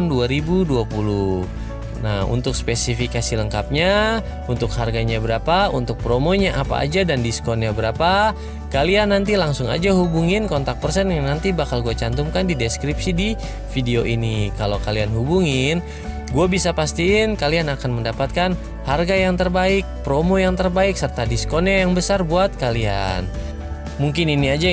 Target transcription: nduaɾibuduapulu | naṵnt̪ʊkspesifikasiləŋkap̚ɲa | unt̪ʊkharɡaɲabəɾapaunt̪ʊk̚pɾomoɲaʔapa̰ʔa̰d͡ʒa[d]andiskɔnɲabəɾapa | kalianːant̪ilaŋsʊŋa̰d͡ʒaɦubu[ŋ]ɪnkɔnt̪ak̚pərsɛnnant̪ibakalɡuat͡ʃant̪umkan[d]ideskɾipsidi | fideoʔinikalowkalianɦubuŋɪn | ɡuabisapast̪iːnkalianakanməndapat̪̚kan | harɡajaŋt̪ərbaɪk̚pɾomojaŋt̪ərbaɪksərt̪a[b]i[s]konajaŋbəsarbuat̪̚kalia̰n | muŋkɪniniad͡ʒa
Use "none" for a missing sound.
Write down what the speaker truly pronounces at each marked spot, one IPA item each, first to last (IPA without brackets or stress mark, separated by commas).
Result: d, ŋ, d, d, s